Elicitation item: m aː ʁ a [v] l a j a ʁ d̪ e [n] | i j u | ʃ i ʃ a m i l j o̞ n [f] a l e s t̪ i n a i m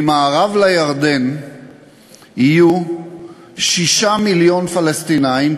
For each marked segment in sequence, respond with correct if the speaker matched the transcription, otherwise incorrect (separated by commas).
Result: correct, correct, correct